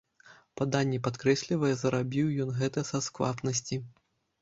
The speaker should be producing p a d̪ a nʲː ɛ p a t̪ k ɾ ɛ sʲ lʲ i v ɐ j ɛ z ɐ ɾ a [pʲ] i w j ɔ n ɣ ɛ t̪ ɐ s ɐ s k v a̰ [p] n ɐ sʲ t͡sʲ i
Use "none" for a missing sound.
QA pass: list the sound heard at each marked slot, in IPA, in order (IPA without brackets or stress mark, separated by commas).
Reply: bʲ, p